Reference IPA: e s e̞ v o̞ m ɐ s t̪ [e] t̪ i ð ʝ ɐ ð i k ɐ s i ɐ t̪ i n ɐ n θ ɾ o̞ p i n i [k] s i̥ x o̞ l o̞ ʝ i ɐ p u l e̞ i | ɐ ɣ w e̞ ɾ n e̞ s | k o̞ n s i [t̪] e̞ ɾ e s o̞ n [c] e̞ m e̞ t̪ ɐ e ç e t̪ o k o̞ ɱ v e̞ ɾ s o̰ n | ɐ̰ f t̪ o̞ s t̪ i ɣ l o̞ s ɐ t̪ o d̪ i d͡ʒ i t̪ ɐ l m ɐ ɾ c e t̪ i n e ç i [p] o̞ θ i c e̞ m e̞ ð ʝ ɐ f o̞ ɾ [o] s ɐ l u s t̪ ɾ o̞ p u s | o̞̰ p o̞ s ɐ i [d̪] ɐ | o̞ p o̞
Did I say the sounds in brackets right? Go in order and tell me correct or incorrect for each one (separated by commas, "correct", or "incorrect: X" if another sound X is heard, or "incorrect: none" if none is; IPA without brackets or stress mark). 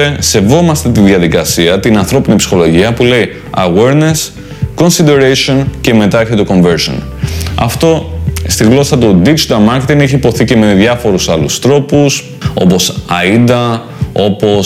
correct, incorrect: p, incorrect: d̪, correct, correct, incorrect: u, correct